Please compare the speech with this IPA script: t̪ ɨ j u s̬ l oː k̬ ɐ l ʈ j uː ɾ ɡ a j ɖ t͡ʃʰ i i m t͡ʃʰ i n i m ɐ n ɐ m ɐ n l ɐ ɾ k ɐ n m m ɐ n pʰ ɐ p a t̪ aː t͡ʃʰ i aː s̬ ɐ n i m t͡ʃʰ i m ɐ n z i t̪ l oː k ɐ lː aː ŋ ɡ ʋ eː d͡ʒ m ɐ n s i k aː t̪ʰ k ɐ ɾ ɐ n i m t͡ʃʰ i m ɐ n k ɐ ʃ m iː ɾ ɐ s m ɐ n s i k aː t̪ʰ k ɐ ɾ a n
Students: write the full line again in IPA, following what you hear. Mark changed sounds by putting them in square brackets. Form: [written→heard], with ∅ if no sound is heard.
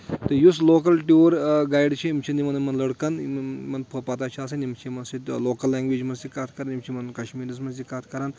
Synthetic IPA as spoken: t̪ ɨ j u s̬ l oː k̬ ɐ l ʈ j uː ɾ ɡ a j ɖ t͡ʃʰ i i m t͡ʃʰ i n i m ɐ n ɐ m ɐ n l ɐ [ɾ→ɽ] k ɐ n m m ɐ n pʰ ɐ p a t̪ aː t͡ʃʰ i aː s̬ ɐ n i m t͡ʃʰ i m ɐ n [z→s] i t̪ l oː k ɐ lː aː ŋ ɡ ʋ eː d͡ʒ m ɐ n s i k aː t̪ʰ k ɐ ɾ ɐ n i m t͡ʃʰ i m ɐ n k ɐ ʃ m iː ɾ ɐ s m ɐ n s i k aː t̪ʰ k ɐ ɾ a n